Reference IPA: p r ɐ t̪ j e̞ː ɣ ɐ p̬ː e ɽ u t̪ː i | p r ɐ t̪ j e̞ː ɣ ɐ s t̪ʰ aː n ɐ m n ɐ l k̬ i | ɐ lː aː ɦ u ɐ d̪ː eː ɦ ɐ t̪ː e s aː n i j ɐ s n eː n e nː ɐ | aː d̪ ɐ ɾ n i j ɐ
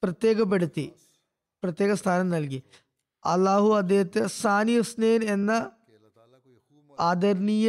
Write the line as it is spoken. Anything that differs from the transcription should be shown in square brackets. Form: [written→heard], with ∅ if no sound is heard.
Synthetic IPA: p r ɐ t̪ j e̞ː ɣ ɐ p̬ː e ɽ u t̪ː i | p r ɐ t̪ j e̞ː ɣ ɐ s t̪ʰ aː n ɐ m n ɐ l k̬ i | ɐ lː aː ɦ u ɐ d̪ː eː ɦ ɐ t̪ː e s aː n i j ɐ s n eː n e nː ɐ | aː d̪ ɐ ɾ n i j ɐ